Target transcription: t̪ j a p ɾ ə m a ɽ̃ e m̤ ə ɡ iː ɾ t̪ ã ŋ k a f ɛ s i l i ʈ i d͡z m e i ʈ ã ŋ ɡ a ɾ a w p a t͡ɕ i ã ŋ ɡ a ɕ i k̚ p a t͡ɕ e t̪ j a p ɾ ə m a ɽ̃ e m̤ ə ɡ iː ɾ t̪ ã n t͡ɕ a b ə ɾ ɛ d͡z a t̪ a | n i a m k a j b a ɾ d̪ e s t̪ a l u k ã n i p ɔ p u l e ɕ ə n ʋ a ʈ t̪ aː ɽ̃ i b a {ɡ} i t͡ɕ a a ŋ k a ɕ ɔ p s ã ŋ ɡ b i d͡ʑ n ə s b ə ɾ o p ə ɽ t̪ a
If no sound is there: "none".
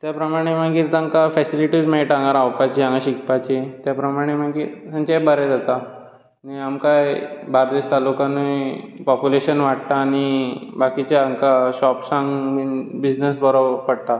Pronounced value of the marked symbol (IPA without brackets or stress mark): k